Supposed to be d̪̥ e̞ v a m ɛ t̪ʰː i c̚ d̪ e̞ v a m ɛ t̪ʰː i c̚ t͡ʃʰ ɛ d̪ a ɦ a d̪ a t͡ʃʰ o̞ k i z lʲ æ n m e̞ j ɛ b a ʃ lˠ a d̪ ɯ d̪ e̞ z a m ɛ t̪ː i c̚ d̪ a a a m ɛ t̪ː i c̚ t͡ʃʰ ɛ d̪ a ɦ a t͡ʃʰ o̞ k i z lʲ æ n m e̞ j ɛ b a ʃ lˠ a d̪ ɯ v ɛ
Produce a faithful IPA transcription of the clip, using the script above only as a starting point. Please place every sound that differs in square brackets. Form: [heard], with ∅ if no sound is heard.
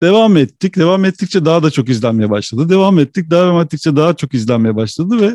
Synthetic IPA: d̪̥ e̞ v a m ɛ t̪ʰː i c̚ d̪ e̞ v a m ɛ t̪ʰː i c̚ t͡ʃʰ ɛ d̪ a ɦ a d̪ a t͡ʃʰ o̞ k i z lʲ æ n m e̞ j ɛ b a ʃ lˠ a d̪ ɯ d̪ e̞ [v] a m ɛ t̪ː i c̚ d̪ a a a m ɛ t̪ː i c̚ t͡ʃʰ ɛ d̪ a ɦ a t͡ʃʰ o̞ k i z lʲ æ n m e̞ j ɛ b a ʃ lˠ a d̪ ɯ v ɛ